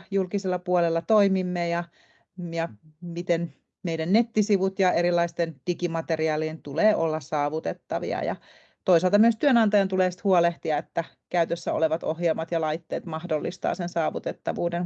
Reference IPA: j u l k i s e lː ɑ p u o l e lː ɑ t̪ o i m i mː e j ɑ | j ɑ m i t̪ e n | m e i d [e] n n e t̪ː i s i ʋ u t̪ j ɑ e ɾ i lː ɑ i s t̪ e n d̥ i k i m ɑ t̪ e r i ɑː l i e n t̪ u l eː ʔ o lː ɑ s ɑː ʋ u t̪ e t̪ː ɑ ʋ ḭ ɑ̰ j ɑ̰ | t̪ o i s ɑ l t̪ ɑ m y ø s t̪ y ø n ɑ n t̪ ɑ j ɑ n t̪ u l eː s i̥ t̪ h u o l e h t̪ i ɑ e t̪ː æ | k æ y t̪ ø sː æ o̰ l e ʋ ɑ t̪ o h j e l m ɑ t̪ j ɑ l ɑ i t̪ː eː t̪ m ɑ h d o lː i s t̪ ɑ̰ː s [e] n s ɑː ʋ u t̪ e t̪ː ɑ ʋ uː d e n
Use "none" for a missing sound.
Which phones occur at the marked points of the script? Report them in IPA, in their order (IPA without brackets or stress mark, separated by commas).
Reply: æ, e